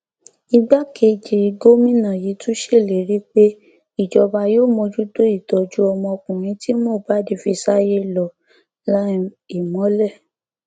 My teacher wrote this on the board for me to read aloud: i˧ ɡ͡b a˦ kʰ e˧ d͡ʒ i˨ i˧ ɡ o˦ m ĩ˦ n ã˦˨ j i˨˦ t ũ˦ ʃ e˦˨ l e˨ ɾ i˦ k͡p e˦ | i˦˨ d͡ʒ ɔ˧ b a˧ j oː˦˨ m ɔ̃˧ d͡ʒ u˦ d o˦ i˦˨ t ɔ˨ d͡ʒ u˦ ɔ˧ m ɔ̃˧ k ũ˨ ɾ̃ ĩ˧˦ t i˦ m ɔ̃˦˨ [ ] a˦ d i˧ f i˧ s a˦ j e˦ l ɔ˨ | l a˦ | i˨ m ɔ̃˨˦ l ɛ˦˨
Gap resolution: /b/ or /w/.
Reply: b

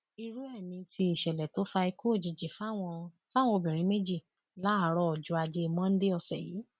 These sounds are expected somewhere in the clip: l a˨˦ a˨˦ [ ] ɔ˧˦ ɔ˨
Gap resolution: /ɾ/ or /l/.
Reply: ɾ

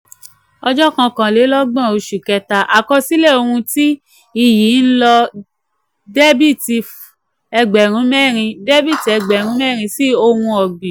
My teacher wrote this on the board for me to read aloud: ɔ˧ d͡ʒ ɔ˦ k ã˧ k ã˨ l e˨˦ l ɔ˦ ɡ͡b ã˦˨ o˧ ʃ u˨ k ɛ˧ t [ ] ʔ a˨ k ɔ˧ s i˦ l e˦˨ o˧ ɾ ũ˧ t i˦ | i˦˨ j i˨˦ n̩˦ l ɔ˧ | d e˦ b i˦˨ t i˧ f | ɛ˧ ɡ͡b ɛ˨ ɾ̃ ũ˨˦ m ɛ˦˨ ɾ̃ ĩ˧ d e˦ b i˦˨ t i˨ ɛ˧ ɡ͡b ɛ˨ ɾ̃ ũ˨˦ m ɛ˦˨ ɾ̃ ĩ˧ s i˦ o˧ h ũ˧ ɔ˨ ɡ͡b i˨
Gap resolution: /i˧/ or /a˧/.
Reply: a˧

